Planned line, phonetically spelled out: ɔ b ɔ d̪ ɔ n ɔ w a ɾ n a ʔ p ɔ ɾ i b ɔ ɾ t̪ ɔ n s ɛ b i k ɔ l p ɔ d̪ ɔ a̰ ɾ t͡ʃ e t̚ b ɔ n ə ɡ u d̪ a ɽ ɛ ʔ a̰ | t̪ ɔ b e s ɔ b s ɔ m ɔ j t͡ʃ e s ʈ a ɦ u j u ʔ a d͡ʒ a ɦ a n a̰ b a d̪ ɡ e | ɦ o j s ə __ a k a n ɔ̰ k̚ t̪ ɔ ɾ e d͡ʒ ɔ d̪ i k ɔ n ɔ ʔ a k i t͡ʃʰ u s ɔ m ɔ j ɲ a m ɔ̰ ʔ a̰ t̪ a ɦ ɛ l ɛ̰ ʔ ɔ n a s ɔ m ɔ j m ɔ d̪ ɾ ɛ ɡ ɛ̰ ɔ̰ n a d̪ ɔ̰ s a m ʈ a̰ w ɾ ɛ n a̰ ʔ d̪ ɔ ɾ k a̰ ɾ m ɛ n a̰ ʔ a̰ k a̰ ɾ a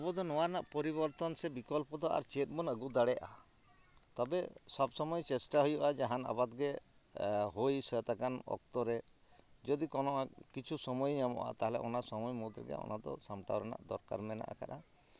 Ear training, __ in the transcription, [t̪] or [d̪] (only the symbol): t̪